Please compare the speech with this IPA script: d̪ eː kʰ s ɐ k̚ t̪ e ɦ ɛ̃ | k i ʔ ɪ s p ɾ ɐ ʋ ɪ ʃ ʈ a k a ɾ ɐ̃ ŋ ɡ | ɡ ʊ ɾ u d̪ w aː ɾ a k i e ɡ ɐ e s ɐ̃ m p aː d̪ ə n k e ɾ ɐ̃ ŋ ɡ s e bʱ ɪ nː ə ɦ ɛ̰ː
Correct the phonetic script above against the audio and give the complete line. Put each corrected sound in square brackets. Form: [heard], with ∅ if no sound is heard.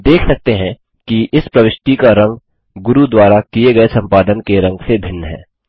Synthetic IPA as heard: d̪ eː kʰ s ɐ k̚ t̪ e ɦ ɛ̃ | k i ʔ ɪ s p ɾ ɐ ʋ ɪ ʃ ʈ [i] k a ɾ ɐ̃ ŋ ɡ | ɡ ʊ ɾ u d̪ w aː ɾ a k i e ɡ ɐ e s ɐ̃ m p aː d̪ ə n k e ɾ ɐ̃ ŋ ɡ s e bʱ ɪ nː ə ɦ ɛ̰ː